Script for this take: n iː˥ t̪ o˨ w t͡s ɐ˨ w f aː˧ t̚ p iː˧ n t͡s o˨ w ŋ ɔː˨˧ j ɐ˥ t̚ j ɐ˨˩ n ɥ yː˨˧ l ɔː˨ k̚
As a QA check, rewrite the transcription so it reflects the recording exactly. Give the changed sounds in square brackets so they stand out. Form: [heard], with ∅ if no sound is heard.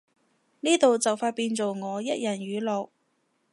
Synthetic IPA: n iː˥ t̪ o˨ w t͡s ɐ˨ w f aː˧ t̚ p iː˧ n t͡s o˨ w ŋ ɔː˨˧ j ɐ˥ t̚ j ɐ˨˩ n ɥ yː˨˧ l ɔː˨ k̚

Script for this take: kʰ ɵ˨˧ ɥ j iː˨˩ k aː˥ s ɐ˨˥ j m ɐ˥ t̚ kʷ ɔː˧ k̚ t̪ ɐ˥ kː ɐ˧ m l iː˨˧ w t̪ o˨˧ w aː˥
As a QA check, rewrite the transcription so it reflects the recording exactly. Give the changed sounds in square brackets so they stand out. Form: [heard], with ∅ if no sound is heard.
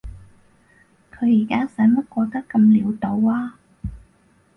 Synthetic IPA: kʰ ɵ˨˧ ɥ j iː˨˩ k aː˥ s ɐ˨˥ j m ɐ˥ t̚ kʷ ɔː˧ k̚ t̪ ɐ˥ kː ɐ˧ m l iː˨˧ w t̪ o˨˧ w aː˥

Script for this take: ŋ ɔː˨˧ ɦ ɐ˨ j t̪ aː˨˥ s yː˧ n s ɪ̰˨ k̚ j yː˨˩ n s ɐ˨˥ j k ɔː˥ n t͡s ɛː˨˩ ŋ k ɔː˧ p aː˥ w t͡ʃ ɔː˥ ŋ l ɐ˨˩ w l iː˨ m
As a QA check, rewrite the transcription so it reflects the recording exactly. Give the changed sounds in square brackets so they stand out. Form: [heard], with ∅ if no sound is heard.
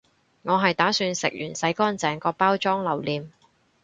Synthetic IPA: ŋ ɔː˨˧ ɦ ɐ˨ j t̪ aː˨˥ s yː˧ n s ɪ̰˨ k̚ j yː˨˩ n s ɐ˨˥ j k ɔː˥ n t͡s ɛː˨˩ ŋ k ɔː˧ p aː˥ w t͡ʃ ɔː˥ ŋ l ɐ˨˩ w l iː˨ m

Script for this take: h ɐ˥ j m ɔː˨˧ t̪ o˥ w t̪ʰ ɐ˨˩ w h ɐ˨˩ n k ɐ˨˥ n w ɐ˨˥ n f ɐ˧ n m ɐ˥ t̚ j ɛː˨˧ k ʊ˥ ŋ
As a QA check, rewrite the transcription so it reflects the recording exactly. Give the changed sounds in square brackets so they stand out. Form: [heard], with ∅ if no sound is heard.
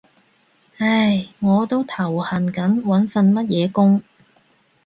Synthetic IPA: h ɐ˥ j [ŋ] ɔː˨˧ t̪ o˥ w t̪ʰ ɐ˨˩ w h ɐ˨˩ n k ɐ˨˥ n w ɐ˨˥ n f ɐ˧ n m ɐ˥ t̚ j ɛː˨˧ k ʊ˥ ŋ

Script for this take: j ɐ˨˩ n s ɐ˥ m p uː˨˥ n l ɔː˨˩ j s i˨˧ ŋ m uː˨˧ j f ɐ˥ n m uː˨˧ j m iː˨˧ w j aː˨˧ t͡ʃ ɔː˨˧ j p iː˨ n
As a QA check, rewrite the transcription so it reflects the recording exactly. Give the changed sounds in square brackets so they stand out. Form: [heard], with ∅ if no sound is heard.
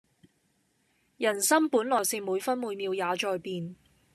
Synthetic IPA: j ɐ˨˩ n s ɐ˥ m p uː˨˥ n l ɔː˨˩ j s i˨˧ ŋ m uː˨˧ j f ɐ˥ n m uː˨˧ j m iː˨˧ w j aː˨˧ t͡ʃ ɔː˨˧ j p iː˨ n

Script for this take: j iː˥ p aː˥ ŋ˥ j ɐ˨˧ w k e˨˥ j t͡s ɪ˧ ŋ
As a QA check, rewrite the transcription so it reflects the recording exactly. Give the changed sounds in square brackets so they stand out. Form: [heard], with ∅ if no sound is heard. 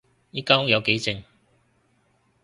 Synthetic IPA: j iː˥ [k] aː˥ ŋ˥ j ɐ˨˧ w k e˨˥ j t͡s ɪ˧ ŋ

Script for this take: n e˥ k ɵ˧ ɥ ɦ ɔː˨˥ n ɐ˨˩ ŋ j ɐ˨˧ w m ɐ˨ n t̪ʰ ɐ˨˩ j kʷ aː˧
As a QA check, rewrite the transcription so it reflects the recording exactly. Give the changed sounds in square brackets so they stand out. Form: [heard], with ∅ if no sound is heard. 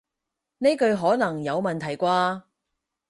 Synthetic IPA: n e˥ k ɵ˧ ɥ ɦ ɔː˨˥ n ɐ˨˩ ŋ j ɐ˨˧ w m ɐ˨ n t̪ʰ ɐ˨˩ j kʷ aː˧

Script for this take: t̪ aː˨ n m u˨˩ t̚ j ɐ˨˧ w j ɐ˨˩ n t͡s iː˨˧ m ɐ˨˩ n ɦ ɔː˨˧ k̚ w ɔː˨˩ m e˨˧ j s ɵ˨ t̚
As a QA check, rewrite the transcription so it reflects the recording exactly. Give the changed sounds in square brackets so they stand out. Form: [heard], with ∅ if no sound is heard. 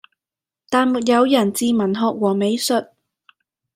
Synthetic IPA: t̪ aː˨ n m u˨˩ t̚ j ɐ˨˧ w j ɐ˨˩ n t͡s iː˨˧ m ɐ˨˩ n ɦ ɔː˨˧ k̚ w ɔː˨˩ m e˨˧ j s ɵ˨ t̚

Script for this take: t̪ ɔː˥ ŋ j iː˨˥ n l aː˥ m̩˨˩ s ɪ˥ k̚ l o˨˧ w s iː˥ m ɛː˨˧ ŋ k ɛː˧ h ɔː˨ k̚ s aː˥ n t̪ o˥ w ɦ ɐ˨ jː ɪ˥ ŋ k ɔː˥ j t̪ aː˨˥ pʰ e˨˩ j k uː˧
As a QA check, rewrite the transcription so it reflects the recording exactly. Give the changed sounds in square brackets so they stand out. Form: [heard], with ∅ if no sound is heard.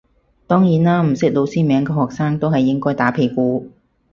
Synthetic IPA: t̪ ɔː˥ ŋ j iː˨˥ n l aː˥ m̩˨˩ s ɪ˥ k̚ l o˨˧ w s iː˥ m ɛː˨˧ ŋ k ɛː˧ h ɔː˨ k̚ s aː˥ [ŋ] t̪ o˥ w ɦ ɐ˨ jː ɪ˥ ŋ k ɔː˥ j t̪ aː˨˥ pʰ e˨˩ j k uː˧

